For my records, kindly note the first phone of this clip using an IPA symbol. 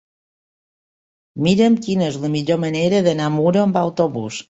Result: m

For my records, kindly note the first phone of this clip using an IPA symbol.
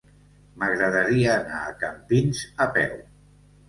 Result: m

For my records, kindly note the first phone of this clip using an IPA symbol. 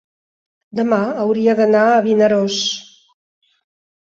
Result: d̪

